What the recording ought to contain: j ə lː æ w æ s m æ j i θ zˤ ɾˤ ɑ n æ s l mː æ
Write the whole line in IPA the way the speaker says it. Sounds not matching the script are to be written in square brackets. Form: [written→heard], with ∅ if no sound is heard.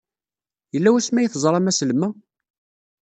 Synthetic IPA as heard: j ə lː æ w æ s m æ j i θ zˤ ɾˤ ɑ [n→m] æ s l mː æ